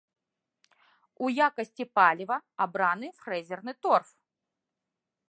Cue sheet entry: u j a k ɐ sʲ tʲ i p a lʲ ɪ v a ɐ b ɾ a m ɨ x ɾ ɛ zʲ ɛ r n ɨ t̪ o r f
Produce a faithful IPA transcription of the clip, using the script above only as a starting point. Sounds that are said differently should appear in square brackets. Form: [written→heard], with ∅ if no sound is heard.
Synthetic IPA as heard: u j a k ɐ sʲ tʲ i p a lʲ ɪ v [a→ɐ] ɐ b ɾ a [m→n] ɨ [x→f] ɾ ɛ zʲ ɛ r n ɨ t̪ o r f